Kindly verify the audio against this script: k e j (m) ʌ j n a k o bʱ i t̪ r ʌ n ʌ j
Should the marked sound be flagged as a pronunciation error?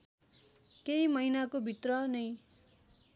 no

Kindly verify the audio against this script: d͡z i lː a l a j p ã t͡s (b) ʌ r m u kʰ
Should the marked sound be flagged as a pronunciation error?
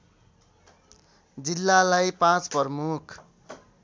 yes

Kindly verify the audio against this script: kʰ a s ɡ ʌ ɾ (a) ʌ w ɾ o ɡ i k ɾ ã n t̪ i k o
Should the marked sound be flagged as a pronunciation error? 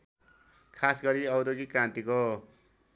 yes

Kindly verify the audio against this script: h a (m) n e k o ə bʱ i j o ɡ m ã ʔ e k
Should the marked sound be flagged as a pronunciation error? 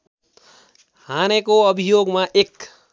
yes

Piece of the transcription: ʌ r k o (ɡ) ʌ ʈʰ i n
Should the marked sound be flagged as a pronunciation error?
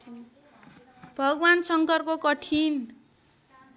yes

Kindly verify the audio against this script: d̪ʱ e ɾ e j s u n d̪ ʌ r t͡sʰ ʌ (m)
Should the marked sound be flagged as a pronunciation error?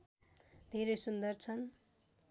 yes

